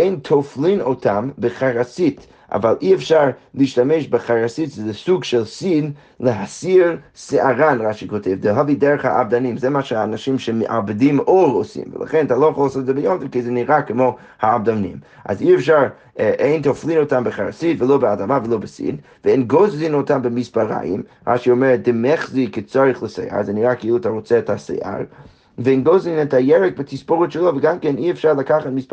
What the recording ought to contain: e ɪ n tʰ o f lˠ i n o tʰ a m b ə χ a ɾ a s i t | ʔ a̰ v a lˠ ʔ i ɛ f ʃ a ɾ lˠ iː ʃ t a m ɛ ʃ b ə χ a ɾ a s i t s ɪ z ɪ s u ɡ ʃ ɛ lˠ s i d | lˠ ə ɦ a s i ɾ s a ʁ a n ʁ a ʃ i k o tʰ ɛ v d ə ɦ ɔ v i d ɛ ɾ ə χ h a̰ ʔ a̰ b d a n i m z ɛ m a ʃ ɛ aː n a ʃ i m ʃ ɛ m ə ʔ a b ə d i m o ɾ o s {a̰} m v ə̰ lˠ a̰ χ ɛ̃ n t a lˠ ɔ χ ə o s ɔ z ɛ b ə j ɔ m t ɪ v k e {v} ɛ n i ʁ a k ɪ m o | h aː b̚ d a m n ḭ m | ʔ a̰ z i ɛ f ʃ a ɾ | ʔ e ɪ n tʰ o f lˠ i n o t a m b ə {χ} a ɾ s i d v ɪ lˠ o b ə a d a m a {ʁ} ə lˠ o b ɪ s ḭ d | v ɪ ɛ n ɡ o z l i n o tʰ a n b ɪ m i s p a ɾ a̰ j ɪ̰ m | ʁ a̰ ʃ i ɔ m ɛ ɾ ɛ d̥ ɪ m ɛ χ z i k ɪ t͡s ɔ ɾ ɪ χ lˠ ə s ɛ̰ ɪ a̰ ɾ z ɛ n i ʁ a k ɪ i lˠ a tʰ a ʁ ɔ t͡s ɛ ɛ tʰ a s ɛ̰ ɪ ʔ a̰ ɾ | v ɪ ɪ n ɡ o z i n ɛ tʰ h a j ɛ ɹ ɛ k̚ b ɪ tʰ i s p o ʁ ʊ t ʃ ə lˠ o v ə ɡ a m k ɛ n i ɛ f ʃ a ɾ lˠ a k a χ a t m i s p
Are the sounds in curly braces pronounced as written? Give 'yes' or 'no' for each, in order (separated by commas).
no, no, yes, no